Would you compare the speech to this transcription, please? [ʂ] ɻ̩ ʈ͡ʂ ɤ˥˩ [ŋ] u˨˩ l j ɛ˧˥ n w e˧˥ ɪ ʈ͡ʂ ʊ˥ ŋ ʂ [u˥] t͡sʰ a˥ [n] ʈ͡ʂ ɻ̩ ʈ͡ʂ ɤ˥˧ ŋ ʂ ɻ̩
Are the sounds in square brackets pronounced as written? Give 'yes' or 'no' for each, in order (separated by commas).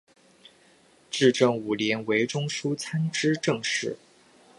no, yes, yes, yes